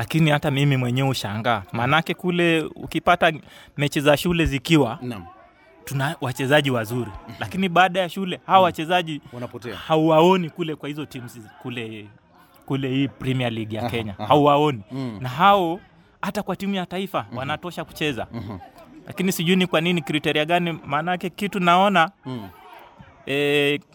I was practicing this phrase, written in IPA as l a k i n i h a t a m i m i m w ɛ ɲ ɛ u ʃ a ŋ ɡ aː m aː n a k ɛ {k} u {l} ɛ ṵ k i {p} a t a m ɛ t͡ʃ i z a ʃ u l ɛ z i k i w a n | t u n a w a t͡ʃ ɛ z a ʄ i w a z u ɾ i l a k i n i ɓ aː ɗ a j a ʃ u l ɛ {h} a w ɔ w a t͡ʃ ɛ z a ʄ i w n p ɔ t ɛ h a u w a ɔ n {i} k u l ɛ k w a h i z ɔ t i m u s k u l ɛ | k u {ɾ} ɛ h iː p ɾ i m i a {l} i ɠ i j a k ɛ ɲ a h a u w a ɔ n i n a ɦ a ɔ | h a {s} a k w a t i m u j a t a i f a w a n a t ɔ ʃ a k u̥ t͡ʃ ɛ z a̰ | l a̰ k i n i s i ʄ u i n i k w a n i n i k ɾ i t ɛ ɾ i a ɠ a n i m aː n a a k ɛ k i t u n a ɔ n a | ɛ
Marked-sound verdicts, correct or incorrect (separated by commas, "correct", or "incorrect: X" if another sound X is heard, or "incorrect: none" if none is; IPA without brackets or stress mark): correct, correct, correct, correct, correct, incorrect: l, correct, incorrect: t